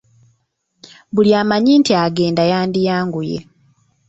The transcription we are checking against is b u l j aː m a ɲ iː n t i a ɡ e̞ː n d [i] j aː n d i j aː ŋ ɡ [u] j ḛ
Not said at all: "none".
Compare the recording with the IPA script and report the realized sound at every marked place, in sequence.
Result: a, u

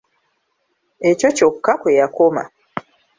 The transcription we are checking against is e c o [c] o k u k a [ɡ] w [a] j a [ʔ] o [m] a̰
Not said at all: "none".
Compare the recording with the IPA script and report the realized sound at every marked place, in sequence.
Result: c, k, e, k, m

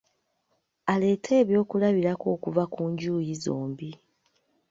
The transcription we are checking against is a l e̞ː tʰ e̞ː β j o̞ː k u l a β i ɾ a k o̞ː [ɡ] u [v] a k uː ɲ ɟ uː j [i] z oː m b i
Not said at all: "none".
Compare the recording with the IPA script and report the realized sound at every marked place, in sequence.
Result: k, v, i

